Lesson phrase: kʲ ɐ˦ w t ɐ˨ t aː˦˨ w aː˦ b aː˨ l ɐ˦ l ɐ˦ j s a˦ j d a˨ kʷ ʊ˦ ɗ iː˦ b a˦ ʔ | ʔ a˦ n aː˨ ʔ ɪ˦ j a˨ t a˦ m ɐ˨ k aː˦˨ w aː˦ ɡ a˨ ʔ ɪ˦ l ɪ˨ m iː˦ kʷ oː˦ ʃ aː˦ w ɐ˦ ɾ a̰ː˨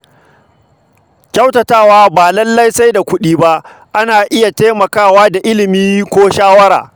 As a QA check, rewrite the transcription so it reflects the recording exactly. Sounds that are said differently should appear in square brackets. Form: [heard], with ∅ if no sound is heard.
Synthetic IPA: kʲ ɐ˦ w t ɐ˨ t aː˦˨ w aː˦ b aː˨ l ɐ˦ [lː] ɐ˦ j s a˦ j d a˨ kʷ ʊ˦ ɗ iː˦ b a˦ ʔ | ʔ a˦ n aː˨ ʔ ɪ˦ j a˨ t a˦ m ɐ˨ k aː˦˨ w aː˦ [d] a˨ ʔ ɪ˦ l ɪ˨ m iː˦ kʷ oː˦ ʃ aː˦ w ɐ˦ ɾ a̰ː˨